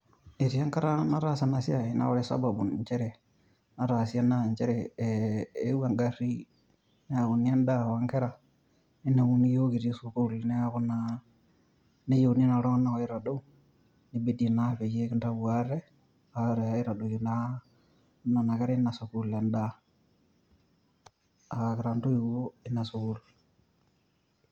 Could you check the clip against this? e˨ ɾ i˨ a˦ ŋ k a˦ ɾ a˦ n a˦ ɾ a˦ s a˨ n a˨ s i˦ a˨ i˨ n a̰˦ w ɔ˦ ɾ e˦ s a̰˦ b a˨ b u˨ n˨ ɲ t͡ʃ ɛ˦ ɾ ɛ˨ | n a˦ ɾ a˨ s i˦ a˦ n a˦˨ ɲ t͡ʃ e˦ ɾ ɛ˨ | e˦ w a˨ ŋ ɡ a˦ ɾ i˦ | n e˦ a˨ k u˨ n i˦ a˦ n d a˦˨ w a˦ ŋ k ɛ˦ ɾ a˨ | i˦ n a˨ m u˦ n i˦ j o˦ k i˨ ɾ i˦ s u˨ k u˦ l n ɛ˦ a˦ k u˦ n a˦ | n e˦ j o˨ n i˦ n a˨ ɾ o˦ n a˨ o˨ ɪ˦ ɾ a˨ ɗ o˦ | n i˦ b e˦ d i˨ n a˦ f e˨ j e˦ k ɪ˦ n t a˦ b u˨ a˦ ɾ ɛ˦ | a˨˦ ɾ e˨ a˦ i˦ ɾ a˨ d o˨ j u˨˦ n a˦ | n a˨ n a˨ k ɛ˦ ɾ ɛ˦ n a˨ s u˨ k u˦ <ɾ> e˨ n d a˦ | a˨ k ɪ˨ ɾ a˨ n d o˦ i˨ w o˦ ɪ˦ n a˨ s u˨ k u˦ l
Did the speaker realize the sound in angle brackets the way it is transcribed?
no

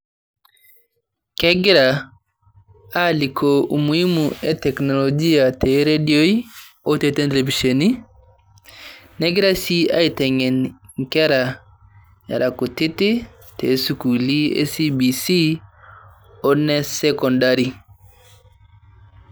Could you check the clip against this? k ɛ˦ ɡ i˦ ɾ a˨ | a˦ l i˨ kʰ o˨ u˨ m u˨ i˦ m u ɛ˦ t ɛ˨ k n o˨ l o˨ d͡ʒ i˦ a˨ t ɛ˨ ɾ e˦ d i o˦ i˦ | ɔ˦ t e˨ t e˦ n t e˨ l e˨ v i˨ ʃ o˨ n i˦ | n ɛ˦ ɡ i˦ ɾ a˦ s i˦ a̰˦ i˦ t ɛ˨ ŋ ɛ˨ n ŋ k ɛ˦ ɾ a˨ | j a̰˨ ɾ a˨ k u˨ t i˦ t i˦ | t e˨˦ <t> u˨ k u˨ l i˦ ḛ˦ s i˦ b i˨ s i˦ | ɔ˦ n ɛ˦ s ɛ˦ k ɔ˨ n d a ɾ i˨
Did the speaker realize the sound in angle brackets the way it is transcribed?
no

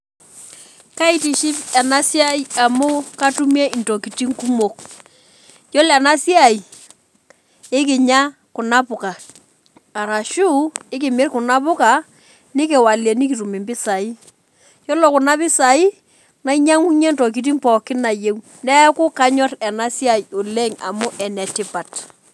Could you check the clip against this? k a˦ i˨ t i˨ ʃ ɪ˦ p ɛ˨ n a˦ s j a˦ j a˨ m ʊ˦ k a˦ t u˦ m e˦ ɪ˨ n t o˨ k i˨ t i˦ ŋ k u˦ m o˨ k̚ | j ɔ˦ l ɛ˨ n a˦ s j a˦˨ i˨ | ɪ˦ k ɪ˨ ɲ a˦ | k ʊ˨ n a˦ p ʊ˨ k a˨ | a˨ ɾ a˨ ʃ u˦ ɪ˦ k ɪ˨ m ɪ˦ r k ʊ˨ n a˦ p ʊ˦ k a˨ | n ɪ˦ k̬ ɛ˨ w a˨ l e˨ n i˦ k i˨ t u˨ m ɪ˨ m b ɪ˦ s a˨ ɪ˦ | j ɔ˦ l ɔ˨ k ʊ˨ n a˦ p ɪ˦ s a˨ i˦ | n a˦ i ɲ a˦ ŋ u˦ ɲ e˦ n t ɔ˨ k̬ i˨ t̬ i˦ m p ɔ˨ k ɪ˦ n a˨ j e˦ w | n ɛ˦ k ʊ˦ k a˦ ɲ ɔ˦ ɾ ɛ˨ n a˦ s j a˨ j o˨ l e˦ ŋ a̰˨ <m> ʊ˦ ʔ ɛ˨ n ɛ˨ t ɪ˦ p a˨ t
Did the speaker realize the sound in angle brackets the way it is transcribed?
yes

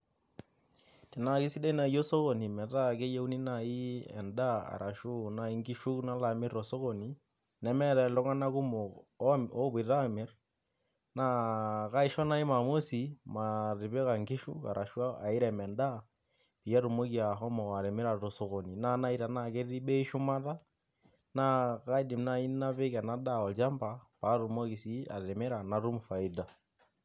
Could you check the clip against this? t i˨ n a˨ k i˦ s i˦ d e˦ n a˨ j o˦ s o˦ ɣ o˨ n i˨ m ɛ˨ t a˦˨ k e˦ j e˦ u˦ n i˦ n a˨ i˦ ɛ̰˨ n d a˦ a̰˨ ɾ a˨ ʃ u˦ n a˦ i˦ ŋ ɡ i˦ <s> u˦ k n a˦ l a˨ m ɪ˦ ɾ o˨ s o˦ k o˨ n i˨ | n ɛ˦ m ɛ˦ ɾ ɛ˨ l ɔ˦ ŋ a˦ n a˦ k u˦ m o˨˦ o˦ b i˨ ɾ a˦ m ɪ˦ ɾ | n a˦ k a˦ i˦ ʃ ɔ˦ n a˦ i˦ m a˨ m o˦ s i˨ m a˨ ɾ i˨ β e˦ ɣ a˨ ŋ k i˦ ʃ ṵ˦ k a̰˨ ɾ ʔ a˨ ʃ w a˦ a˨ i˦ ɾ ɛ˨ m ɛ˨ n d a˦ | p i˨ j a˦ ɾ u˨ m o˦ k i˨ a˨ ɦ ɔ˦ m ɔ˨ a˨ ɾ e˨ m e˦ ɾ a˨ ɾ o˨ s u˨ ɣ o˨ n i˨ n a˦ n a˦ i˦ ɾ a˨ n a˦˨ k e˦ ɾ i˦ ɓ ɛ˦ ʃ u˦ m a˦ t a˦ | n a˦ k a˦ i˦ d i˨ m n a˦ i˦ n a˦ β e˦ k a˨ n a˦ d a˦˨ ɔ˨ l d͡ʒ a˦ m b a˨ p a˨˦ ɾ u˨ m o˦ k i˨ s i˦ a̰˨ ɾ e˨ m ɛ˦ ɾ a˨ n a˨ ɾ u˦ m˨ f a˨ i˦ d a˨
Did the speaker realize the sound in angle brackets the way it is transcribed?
no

